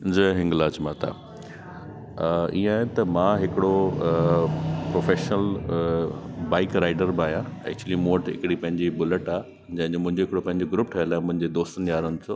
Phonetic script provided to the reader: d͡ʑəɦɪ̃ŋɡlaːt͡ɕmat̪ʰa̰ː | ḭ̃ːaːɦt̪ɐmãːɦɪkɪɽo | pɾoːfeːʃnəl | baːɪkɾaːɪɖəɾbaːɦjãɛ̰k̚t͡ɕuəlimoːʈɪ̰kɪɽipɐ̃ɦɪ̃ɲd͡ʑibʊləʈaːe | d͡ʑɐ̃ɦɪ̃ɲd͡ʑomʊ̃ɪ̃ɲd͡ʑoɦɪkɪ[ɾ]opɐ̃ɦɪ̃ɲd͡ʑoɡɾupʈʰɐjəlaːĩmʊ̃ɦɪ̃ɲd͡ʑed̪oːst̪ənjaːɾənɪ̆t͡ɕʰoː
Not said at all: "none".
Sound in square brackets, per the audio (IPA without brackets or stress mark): ɽ